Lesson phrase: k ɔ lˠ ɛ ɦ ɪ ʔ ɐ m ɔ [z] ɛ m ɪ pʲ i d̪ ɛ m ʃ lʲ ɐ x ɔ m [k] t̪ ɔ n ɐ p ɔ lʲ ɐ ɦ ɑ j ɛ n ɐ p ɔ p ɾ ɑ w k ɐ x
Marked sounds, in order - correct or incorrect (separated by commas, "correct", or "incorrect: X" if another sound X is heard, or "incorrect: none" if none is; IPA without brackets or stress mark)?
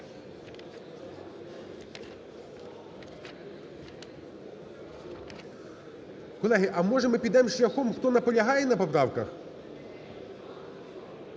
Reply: incorrect: ʒ, incorrect: x